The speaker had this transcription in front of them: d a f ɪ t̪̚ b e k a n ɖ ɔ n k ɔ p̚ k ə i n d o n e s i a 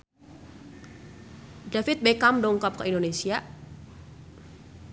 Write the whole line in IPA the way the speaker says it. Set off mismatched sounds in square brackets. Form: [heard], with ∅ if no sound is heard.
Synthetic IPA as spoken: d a f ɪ t̪̚ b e k a [m] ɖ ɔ [ŋ] k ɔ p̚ k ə i n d o n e s i a